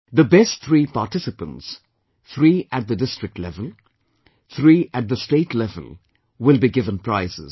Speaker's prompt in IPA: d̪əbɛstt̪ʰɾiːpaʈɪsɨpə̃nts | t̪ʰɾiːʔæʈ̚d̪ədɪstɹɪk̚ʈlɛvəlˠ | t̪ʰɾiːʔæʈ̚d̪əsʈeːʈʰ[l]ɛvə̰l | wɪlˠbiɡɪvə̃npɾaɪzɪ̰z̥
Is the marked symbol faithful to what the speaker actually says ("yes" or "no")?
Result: yes